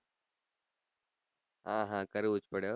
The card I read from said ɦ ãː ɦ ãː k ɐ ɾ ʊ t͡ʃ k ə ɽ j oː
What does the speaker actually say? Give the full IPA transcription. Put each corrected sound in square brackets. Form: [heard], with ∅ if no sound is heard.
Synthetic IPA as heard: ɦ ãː ɦ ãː k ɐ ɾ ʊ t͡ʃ [p] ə ɽ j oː

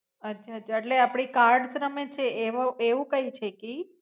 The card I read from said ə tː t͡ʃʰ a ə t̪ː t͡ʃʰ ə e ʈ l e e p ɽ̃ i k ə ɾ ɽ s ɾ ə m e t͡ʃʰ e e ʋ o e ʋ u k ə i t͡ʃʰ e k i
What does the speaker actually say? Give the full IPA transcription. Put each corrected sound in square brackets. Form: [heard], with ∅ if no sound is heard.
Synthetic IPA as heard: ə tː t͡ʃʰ a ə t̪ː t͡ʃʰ [a] e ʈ l e [a] p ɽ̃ i k [a] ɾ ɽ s ɾ ə m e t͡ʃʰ e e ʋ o e ʋ [ũ] k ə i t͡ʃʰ e k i

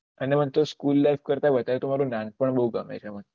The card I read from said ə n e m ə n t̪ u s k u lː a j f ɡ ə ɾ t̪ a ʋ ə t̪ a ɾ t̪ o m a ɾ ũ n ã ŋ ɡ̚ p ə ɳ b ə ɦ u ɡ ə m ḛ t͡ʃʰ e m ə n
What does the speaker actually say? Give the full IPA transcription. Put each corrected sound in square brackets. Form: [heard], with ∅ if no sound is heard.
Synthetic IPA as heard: ə n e m ə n t̪ [o] s k u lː a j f [k] ə ɾ t̪ a ʋ ə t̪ a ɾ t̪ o m a ɾ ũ n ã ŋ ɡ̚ p ə ɳ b ə ɦ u ɡ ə m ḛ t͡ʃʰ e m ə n

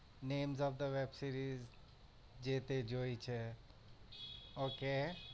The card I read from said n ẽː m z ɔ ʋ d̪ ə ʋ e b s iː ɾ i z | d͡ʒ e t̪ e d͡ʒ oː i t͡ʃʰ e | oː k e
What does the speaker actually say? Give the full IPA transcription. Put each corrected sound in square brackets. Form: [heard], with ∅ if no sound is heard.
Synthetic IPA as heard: n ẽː m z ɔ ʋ d̪ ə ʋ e b s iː ɾ i z | d͡ʒ e t̪ e d͡ʒ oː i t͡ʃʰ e | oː k e

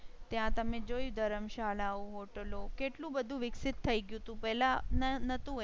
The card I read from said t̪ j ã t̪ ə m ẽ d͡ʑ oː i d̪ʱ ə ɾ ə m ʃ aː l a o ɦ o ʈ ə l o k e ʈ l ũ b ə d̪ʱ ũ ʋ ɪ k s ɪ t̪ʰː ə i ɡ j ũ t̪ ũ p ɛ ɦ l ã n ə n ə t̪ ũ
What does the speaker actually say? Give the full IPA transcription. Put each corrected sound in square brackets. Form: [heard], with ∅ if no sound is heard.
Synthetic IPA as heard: t̪ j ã t̪ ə m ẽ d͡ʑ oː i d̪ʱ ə ɾ ə m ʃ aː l a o ɦ o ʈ ə l o k e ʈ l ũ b ə d̪ʱ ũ ʋ ɪ k s ɪ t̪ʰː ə i ɡ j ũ t̪ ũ p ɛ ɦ l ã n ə n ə t̪ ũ

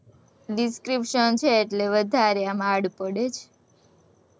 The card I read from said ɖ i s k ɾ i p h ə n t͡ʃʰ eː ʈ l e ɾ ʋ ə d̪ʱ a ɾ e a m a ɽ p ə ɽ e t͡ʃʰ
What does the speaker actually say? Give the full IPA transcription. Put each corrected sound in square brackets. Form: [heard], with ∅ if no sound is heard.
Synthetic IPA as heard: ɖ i s k ɾ i p [ʃ] ə n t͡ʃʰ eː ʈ l e [∅] ʋ ə d̪ʱ a ɾ e a m a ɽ p ə ɽ e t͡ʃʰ

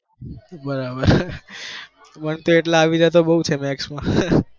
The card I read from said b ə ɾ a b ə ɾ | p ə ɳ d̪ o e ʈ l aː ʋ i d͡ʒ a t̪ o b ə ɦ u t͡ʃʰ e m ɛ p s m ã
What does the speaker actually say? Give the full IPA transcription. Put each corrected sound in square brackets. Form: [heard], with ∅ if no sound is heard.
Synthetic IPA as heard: b ə ɾ a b ə ɾ | p ə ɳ [t̪] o e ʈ l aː ʋ i d͡ʒ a t̪ o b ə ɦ u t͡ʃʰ e m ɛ [k] s m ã

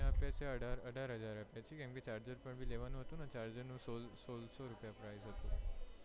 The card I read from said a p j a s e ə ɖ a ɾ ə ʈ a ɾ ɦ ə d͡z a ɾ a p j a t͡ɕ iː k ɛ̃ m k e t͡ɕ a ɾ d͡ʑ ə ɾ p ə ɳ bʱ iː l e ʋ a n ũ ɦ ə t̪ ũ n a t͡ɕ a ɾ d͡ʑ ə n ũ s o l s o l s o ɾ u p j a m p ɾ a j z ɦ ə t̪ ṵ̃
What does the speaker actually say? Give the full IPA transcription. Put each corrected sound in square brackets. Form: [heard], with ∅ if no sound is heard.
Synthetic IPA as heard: a p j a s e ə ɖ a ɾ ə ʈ a ɾ ɦ ə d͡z a ɾ a p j a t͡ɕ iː k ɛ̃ m k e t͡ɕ a ɾ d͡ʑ ə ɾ p ə ɳ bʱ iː l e ʋ a n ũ ɦ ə t̪ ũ n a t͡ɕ a ɾ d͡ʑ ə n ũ s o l s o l s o ɾ u p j a [∅] p ɾ a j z ɦ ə t̪ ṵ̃

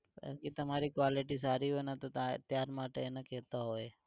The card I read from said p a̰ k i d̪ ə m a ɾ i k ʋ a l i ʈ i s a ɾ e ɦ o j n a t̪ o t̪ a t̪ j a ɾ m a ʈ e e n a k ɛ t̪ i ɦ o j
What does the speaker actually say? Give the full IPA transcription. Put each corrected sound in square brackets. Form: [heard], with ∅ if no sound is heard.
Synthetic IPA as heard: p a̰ k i [t̪] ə m a ɾ i k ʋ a l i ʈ i s a ɾ [i] ɦ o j n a t̪ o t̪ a t̪ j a ɾ m a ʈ e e n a k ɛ t̪ [a] ɦ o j

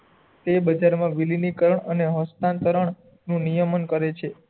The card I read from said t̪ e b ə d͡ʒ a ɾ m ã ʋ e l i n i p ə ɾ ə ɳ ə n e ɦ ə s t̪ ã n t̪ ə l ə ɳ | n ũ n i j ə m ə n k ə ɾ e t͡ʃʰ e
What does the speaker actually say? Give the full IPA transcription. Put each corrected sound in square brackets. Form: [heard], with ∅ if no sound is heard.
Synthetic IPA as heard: t̪ e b ə d͡ʒ a ɾ m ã ʋ [i] l i n i [k] ə ɾ ə ɳ ə n e ɦ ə s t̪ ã n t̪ ə [ɾ] ə ɳ | n ũ n i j ə m ə n k ə ɾ e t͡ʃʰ e

